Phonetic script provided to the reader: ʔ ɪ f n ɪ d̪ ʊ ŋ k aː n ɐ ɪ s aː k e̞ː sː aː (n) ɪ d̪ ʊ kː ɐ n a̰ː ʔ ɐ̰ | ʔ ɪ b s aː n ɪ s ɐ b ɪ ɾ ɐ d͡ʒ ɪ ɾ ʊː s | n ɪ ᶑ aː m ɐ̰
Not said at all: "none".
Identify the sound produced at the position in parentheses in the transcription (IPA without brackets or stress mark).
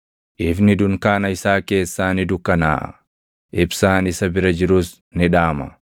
n